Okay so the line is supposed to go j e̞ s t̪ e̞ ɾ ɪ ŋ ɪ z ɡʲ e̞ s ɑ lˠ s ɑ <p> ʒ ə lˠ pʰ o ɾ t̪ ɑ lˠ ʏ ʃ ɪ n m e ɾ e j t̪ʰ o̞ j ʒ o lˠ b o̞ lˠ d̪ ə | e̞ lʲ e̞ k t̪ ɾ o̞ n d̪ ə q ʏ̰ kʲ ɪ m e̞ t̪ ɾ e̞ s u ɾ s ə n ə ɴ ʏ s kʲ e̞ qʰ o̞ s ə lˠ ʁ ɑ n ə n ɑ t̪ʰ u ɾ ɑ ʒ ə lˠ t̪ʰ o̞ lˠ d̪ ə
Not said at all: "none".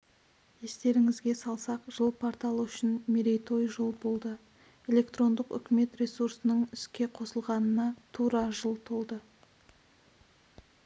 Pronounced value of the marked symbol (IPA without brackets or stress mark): q